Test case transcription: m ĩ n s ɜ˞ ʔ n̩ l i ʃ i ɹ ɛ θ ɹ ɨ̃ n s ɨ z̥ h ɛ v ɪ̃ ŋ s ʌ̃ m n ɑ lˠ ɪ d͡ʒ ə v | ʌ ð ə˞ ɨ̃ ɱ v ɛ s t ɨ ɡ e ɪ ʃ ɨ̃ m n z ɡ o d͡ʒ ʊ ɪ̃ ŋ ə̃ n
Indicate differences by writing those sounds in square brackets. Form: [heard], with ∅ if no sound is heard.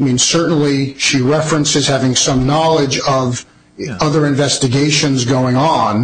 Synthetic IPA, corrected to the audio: m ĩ n s ɜ˞ ʔ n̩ l i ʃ i ɹ ɛ [f] ɹ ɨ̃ n s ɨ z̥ h [æ] v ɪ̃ ŋ s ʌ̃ m n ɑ lˠ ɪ d͡ʒ [ʌ] v | ʌ ð ə˞ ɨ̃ ɱ v ɛ s t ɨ ɡ e ɪ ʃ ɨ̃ [∅] n z ɡ o [∅] ʊ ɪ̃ ŋ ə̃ n

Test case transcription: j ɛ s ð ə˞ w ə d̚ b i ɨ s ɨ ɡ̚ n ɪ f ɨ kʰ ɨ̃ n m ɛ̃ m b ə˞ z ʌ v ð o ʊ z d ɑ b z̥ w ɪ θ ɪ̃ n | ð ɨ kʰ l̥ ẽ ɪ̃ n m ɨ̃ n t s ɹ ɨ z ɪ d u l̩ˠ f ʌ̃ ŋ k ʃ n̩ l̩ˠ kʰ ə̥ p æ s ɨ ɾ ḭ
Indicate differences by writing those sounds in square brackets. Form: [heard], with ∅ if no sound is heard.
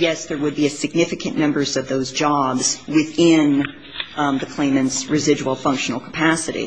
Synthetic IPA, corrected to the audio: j ɛ s ð ə˞ w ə d̚ b i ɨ s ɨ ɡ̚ n ɪ f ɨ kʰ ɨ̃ n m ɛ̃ m b ə˞ z ʌ v ð o ʊ z [d͡ʒ] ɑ b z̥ w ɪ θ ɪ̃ n | ð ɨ kʰ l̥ ẽ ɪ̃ [∅] m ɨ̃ n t s ɹ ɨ z ɪ [d͡ʒ] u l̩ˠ f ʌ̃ ŋ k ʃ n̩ l̩ˠ kʰ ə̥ [pʰ] æ s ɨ ɾ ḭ

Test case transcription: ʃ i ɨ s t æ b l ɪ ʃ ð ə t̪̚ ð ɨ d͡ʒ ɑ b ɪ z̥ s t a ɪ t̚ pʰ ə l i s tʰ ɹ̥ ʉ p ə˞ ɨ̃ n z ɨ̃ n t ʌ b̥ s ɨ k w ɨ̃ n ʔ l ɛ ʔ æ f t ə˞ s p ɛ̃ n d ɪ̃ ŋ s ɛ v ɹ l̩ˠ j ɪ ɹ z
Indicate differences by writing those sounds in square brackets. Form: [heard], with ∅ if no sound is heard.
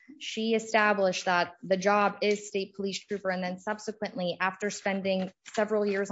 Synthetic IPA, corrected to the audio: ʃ i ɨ s t æ b l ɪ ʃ ð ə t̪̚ ð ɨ d͡ʒ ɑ b ɪ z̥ s t [e] ɪ t̚ pʰ ə l i s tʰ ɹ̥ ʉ p ə˞ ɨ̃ n [ð] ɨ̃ n [s] ʌ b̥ s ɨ k w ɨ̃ n ʔ l [i] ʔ æ f t ə˞ s p ɛ̃ n d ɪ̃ ŋ s ɛ v ɹ l̩ˠ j ɪ ɹ z

